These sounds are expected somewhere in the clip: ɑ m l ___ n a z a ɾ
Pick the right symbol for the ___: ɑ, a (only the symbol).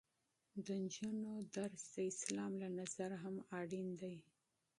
a